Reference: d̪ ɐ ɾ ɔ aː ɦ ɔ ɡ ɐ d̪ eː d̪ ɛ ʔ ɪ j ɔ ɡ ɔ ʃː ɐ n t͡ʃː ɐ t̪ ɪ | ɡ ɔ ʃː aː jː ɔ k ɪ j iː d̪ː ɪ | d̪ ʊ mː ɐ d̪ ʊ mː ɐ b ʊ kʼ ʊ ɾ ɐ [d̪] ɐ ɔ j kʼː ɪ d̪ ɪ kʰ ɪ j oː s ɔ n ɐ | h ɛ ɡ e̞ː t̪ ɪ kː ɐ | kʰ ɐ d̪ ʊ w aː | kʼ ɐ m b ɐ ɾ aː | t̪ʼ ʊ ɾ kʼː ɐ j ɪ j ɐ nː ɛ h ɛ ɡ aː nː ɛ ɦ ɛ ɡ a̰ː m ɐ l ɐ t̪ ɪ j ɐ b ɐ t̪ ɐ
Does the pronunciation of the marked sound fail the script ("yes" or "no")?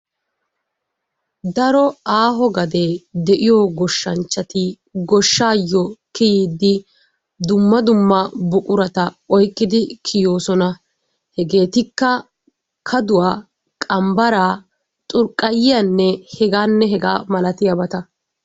yes